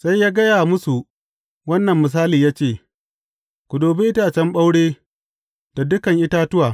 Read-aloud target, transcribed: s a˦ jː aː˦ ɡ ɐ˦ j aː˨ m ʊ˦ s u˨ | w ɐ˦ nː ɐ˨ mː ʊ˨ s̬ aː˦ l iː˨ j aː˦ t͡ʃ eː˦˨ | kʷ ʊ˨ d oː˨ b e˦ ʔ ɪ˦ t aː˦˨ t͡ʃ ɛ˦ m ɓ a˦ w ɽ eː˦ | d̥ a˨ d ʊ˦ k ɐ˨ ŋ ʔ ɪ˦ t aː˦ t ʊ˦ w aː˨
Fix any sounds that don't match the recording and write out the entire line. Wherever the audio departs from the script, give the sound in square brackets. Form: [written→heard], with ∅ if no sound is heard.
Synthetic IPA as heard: s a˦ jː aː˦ ɡ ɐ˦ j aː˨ m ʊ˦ s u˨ | w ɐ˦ nː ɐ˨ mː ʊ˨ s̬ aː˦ l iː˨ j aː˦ t͡ʃ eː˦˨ | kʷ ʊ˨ d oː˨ b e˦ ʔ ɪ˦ t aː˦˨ t͡ʃ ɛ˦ m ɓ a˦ w ɽ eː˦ | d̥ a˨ d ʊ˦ k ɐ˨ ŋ ʔ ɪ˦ t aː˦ t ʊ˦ w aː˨